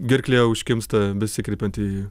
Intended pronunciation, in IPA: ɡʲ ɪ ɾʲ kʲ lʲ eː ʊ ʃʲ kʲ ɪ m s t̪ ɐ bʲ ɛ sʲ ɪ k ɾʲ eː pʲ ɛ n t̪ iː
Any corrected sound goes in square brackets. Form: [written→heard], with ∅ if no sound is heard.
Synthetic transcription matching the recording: ɡʲ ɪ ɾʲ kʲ lʲ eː ʊ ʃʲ kʲ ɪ m s t̪ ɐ bʲ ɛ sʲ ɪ k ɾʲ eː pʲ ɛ n t̪ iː